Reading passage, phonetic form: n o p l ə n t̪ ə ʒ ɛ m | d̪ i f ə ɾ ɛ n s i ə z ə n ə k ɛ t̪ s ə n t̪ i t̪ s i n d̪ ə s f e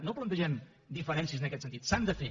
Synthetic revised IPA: n o p l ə n t̪ ə ʒ ɛ m | d̪ i f ə ɾ ɛ n s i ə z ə n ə k ɛ t̪ s ə n t̪ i t̪ s a n d̪ ə f e